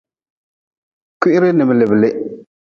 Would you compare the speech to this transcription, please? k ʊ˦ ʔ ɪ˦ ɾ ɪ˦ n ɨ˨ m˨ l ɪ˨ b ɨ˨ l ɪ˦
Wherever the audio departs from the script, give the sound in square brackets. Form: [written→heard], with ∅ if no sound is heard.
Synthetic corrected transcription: k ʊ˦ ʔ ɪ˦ ɾ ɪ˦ n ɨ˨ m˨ l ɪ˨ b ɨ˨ l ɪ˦

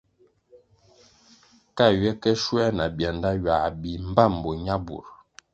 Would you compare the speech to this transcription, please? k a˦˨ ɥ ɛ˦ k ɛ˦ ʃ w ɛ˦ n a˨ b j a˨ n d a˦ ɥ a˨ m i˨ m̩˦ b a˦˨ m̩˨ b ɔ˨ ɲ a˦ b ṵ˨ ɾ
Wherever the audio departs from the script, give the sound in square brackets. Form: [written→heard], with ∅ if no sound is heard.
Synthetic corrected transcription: k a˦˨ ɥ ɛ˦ k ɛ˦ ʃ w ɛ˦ n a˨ b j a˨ n d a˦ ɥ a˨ [m→b] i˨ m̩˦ b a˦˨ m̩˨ b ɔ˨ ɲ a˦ b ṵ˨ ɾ

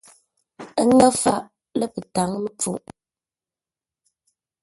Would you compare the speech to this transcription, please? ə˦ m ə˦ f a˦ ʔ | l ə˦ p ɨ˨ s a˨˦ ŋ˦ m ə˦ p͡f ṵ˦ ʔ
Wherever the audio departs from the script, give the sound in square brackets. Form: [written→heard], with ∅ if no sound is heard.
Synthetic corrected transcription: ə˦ [m→ŋ] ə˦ f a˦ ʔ | l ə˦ p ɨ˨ [s→t] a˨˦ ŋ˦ m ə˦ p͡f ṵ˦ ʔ

